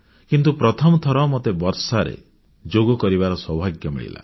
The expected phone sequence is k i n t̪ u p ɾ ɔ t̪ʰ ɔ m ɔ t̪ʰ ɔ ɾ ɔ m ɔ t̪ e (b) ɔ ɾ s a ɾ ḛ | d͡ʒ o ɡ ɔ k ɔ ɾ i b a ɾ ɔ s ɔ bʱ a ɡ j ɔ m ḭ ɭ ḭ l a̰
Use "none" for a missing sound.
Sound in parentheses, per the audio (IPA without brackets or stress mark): b